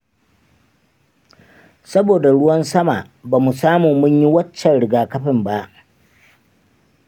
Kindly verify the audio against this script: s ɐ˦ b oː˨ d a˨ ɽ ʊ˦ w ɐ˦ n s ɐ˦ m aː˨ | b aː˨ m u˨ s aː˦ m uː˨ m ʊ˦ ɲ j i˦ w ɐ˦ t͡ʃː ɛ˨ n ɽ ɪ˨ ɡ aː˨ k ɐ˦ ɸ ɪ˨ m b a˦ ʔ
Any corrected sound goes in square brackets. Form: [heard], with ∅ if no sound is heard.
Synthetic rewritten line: s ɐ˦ b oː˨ d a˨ ɽ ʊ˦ w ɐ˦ n s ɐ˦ m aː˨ | b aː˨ m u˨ s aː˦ m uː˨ m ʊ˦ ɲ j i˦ w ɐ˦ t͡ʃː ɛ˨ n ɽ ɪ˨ ɡ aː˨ k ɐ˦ ɸ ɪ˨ m b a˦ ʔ